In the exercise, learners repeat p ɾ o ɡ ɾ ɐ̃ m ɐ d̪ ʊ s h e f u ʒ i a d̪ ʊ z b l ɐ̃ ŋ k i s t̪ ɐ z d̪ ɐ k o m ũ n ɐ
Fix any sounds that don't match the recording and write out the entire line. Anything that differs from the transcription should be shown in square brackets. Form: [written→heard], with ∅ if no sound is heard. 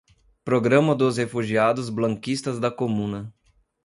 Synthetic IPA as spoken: p ɾ o ɡ ɾ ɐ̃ m ɐ d̪ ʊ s h e f u ʒ i a d̪ ʊ z b l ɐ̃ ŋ k i s t̪ ɐ z d̪ ɐ k o m ũ n ɐ